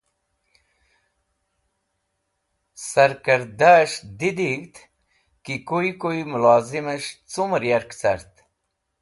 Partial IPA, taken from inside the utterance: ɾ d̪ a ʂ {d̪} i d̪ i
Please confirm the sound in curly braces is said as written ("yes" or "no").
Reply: yes